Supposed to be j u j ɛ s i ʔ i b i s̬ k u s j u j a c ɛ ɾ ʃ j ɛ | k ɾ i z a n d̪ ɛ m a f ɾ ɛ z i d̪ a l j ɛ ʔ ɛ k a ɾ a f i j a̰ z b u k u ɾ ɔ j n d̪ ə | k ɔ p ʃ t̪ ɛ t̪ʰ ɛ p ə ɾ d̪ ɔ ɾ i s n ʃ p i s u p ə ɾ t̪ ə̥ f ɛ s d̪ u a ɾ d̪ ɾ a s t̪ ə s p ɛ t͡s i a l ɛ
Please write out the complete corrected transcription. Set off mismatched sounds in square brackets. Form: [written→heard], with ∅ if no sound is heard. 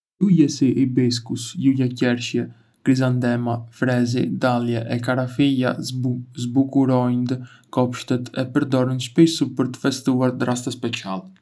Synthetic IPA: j u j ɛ s i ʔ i b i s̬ k u s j u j a c ɛ ɾ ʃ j ɛ | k ɾ i z a n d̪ ɛ m a f ɾ ɛ z i d̪ a l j ɛ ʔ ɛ k a ɾ a f i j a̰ z b u k u ɾ ɔ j n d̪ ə | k ɔ p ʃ t̪ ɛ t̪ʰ ɛ p ə ɾ d̪ ɔ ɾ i [s→∅] n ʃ p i s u p ə ɾ t̪ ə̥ f ɛ s [d̪→t̪] u a ɾ d̪ ɾ a s t̪ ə s p ɛ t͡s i a l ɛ